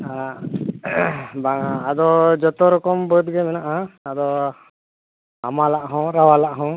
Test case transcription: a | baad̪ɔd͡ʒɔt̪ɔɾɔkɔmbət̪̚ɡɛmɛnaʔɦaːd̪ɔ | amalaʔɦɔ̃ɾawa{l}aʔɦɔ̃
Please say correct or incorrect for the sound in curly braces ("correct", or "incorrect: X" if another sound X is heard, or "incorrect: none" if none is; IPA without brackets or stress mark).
correct